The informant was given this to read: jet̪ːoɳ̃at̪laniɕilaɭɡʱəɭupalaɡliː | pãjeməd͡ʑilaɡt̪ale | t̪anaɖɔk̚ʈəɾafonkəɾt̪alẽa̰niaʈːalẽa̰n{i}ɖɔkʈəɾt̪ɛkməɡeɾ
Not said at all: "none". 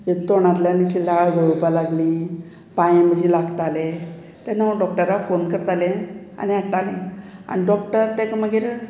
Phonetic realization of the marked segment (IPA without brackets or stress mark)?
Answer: i